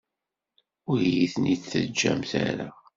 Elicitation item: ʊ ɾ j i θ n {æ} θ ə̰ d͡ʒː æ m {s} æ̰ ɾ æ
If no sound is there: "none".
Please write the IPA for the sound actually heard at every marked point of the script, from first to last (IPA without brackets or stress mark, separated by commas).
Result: i, θ